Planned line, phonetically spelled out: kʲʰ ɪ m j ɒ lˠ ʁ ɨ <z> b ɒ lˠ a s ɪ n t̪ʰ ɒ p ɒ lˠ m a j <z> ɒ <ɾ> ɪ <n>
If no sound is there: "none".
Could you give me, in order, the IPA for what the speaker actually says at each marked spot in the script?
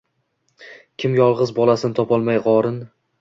z, ʁ, ɾ, n

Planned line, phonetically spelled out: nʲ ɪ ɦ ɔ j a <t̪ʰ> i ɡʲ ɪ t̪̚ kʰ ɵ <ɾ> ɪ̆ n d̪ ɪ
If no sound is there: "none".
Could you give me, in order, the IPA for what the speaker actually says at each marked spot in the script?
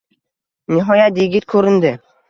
t̪, ɾ

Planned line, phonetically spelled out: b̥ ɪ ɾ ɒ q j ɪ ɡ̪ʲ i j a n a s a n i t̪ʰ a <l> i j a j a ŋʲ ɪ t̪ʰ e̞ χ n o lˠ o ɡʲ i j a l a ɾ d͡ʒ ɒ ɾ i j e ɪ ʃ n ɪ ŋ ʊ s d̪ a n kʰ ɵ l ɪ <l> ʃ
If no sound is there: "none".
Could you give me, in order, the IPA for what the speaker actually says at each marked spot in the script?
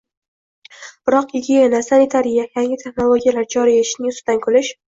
ɾ, none

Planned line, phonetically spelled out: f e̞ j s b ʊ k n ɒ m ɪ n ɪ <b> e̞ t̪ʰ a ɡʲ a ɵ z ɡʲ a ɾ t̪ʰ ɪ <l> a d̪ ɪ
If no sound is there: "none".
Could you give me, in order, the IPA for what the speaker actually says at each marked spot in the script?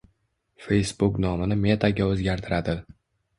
m, ɾ

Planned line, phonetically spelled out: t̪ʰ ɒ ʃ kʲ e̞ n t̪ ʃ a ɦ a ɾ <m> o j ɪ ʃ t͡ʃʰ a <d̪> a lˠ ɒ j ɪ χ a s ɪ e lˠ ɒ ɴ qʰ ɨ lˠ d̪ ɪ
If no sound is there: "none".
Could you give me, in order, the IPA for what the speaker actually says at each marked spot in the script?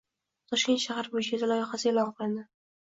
b, d̪

